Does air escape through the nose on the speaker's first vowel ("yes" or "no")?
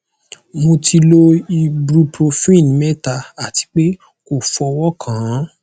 no